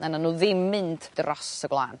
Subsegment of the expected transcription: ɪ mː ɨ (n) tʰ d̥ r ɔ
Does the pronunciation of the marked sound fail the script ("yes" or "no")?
no